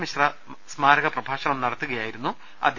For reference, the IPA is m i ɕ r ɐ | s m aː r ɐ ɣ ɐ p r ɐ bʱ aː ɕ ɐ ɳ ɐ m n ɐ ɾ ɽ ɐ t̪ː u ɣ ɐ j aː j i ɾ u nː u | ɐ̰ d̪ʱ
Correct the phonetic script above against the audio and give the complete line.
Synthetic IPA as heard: m i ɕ r ɐ | s m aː ɾ ɐ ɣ ɐ p r ɐ bʱ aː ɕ ɐ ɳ ɐ m n ɐ ɽ ɐ t̪ː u ɣ ɐ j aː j i ɾ u nː u | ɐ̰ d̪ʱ